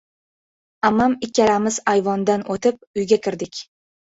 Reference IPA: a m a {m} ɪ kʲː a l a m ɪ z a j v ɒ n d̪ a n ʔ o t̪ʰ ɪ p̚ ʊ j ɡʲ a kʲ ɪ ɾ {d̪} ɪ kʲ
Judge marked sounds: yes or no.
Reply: yes, yes

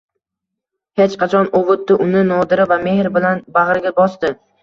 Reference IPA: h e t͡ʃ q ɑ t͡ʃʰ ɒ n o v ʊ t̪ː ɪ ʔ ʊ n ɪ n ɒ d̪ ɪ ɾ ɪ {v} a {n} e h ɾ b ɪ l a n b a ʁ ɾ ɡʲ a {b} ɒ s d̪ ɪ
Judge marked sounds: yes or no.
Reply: yes, no, yes

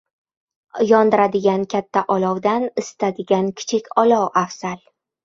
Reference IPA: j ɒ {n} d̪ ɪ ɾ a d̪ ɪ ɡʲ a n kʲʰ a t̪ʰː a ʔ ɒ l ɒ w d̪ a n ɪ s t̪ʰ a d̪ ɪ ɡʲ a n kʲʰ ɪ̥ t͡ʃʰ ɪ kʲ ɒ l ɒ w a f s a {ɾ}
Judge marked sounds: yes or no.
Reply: yes, no

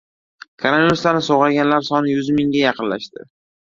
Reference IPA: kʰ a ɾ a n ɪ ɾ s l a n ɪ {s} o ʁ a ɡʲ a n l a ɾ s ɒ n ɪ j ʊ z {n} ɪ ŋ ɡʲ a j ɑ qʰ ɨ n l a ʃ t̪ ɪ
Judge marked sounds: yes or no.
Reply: yes, no

